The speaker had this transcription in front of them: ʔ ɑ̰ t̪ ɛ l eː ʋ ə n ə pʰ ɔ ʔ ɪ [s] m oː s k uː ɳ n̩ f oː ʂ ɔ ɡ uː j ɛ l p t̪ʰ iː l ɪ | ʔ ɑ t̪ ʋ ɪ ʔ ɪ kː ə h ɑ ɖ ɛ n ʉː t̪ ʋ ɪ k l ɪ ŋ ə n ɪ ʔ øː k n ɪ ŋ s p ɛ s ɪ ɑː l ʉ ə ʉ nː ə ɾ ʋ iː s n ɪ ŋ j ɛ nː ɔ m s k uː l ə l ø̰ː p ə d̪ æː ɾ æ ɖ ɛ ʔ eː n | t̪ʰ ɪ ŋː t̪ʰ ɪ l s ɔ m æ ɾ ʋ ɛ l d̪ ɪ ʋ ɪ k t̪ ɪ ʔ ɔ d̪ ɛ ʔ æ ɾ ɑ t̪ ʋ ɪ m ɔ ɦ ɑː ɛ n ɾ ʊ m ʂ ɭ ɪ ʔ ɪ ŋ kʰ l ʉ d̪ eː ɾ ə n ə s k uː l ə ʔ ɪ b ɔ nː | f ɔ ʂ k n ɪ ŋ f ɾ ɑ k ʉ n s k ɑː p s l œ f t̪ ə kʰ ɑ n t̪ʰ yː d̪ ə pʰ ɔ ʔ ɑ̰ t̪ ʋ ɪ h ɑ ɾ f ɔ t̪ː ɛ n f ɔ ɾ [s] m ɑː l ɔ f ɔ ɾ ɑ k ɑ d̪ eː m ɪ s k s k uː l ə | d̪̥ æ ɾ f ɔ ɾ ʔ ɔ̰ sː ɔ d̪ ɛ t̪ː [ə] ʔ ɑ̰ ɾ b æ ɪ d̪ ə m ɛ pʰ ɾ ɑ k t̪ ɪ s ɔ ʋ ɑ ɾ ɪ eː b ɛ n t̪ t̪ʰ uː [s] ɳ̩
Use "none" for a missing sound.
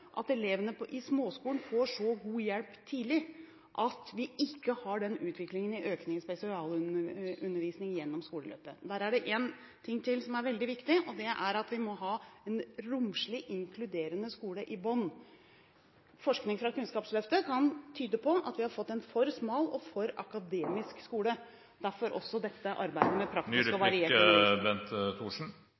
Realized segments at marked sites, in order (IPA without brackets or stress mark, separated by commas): s, s, ə, ʂ